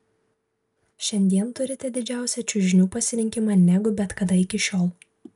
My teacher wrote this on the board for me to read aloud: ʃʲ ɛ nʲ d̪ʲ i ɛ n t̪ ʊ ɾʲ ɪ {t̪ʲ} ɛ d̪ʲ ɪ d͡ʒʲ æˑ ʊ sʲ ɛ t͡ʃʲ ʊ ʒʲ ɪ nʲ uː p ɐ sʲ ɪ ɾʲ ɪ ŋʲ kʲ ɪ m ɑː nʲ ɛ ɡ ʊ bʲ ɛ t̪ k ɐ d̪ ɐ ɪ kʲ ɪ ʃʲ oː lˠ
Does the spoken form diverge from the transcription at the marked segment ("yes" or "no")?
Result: no